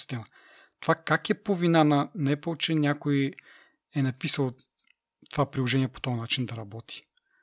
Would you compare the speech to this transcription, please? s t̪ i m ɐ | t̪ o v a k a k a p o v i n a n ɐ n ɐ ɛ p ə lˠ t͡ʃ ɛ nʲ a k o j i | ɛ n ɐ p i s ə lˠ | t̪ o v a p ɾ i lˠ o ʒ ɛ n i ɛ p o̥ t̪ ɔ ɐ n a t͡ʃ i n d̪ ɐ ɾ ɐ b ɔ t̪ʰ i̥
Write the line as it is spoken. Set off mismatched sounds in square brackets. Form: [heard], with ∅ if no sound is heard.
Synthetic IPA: s t̪ [ɛ] m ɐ | t̪ o v a k a k [ɛ] p o v i n a n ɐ n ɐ ɛ p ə lˠ t͡ʃ ɛ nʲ a k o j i | ɛ n ɐ p i s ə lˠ | t̪ o v a p ɾ i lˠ o ʒ ɛ n i ɛ p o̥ t̪ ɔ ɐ n a t͡ʃ i n d̪ ɐ ɾ ɐ b ɔ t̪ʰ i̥